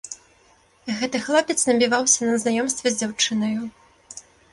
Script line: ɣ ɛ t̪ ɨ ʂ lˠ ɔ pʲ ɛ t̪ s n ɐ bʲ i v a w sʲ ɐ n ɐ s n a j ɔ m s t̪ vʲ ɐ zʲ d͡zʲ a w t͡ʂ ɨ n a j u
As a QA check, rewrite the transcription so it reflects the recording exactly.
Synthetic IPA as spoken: ɣ ɛ t̪ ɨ x lˠ ɔ pʲ ɛ t̪ s n ɐ bʲ i v a w sʲ ɐ n ɐ z n a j ɔ m s t̪ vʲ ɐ zʲ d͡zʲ a w t͡ʂ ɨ n ɐ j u